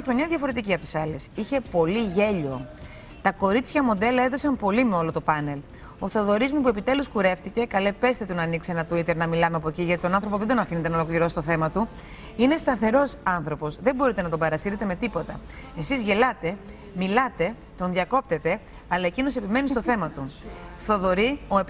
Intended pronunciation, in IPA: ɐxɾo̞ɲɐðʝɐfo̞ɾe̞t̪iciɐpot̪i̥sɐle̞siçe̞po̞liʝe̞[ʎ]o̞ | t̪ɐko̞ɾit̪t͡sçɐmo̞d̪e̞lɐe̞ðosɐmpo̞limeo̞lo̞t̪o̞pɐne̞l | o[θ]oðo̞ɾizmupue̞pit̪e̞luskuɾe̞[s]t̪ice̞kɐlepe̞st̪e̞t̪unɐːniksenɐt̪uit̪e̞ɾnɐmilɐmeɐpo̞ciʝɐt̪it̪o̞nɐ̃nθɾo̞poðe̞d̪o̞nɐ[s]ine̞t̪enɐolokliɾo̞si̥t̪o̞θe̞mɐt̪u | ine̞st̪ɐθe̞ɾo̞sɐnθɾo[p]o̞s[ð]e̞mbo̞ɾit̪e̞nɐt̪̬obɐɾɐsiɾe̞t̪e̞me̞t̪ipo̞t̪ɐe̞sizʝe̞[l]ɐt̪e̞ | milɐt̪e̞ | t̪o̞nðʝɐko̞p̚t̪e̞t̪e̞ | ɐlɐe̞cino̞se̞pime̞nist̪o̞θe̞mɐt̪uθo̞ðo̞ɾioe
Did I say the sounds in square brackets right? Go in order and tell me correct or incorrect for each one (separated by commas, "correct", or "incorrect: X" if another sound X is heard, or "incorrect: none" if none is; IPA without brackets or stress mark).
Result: correct, correct, incorrect: f, incorrect: f, correct, correct, correct